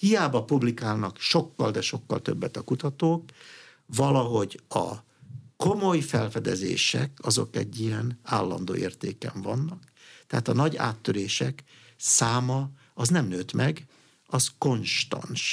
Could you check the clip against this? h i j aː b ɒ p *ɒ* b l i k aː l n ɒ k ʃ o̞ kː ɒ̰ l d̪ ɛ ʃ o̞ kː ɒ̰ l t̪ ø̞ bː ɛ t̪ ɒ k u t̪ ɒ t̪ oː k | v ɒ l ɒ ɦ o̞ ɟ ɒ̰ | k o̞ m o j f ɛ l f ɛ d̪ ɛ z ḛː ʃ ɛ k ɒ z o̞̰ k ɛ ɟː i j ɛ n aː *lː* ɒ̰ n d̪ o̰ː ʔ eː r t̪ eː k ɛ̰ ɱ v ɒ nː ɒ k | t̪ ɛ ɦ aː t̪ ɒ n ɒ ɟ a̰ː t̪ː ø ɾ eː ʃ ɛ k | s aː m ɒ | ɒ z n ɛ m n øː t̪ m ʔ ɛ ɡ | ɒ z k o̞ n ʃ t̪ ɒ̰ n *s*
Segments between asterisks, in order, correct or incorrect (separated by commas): incorrect, correct, incorrect